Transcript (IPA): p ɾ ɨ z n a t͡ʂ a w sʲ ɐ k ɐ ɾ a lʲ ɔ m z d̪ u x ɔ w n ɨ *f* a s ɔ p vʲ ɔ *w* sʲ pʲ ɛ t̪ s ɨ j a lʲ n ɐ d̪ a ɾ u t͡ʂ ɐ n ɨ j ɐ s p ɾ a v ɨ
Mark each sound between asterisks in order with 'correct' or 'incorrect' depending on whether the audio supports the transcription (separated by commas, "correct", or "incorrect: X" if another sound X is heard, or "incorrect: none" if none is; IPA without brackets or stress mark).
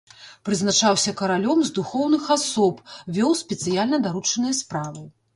incorrect: x, correct